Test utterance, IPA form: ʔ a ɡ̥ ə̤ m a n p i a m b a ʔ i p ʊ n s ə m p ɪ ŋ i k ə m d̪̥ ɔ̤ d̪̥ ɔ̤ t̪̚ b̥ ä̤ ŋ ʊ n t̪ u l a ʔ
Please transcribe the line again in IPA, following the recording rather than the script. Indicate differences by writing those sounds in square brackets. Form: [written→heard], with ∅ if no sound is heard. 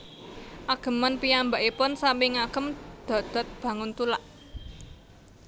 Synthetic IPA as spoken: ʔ a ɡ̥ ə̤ m a n p i a m b a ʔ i p ʊ n s [ə→a] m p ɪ ŋ [i→a] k ə m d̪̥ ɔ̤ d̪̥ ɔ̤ t̪̚ b̥ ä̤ ŋ ʊ n t̪ u l a ʔ